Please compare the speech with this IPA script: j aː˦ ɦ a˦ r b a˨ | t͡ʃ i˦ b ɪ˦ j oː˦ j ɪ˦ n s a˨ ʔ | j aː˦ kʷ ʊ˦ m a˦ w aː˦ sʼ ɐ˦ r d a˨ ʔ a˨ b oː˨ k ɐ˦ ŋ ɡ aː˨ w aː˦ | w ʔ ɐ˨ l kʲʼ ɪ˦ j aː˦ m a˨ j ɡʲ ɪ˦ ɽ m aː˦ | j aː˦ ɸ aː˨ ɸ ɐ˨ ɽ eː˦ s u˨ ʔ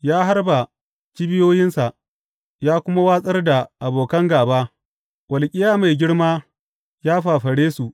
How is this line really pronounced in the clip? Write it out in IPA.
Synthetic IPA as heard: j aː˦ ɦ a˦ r b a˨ | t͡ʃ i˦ b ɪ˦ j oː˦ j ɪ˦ n s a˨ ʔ | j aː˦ kʷ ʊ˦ m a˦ w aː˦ sʼ ɐ˦ r d a˨ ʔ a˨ b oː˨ k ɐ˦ ŋ ɡ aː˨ b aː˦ | w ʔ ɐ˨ l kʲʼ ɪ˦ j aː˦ m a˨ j ɡʲ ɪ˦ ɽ m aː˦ | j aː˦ ɸ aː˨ ɸ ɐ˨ ɽ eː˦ s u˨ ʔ